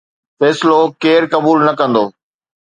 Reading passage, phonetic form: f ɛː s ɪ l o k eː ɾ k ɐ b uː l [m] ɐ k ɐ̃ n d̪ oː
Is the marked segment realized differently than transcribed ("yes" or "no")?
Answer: yes